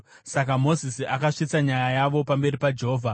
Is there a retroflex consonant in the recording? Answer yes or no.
yes